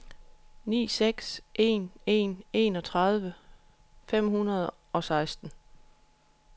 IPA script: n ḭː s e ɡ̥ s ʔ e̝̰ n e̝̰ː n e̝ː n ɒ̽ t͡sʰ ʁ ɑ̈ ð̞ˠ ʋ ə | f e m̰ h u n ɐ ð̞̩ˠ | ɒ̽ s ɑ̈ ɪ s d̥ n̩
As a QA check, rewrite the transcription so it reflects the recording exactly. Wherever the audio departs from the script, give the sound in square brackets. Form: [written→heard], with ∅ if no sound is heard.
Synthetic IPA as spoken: n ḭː s e ɡ̥ s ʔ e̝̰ n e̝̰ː n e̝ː n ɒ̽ t͡sʰ ʁ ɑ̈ ð̞ˠ ʋ ə | f e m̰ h u n ɐ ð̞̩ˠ | ɒ̽ s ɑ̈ ɪ s d̥ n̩